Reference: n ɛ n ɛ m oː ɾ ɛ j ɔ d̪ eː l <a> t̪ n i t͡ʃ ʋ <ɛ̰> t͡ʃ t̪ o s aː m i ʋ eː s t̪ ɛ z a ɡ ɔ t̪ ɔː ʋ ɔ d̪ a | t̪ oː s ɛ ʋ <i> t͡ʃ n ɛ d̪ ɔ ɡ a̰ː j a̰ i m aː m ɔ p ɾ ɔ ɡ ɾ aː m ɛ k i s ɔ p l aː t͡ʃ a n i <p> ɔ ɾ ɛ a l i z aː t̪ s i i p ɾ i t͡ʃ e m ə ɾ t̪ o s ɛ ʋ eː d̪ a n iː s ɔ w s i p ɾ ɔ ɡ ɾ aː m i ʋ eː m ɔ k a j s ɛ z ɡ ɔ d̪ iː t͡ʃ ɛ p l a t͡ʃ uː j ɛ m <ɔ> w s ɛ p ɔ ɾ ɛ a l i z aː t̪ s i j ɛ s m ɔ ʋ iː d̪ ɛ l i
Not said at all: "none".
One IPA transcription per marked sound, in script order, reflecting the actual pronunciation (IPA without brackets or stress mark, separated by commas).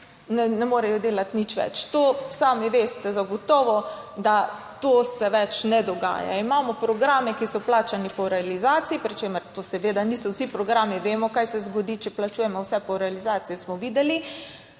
a, ɛ̰, ɛ, p, ɔ